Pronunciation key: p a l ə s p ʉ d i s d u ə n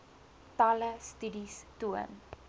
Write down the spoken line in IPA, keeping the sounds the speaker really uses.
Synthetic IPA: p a l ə s t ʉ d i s t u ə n